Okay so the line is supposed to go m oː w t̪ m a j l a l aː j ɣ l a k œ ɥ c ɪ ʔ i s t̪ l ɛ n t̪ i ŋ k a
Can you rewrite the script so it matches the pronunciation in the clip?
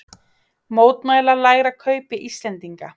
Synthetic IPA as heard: m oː w t̪ m a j l a l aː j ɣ ɾ a kʰ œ ɥ p ɪ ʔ i s t̪ l ɛ n t̪ i ŋ k a